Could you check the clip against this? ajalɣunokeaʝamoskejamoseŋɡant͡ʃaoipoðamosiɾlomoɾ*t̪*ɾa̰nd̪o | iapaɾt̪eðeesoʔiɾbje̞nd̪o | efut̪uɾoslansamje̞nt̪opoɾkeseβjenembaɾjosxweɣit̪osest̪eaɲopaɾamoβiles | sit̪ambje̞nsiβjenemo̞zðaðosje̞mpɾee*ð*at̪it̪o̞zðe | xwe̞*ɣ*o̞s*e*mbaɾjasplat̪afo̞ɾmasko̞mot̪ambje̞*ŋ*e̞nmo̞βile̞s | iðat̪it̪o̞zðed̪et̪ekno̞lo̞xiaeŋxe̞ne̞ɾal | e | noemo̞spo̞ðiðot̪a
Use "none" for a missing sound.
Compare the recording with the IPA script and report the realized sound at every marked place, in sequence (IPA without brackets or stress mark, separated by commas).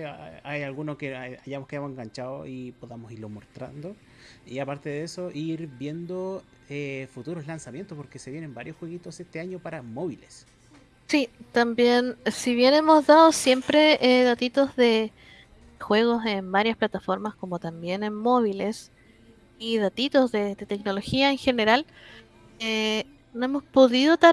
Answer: t̪, ð, ɣ, e, n